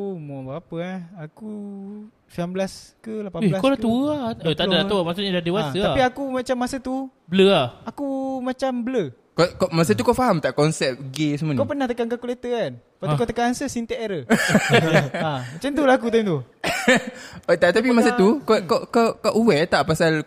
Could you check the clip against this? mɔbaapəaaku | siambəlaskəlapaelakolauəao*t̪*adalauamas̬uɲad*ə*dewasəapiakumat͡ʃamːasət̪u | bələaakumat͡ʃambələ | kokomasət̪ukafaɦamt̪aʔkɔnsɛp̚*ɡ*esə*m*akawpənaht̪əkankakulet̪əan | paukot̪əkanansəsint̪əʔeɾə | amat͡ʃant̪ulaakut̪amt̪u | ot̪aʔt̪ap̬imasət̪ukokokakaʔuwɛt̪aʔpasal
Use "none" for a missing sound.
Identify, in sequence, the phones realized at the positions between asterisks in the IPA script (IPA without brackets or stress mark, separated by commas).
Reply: t̪, a, ɡ, m